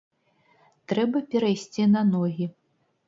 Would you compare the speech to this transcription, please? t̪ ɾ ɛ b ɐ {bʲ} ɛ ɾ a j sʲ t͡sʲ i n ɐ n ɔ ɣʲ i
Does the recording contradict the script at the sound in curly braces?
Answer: yes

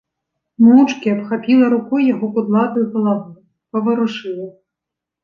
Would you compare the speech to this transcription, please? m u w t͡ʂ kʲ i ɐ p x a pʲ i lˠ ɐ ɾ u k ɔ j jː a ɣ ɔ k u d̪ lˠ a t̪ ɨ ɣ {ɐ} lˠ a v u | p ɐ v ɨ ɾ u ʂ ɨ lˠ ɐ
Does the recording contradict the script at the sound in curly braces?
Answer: no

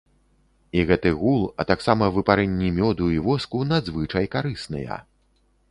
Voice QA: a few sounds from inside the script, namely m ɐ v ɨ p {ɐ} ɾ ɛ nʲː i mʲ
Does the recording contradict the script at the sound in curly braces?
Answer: yes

